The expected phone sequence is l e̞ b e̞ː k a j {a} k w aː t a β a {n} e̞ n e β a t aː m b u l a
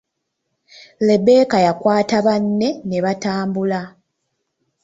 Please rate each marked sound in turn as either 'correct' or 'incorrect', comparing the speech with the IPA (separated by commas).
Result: correct, incorrect